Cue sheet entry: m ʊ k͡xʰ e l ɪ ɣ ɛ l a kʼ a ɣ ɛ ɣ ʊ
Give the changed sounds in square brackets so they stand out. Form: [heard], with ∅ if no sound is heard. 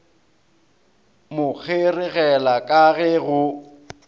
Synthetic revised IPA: m ʊ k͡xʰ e [r] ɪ ɣ ɛ l a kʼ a ɣ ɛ ɣ ʊ